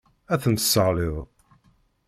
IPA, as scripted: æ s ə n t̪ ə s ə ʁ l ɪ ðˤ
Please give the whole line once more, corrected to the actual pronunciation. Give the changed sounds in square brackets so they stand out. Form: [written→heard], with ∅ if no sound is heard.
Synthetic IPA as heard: æ [s→θ] ə n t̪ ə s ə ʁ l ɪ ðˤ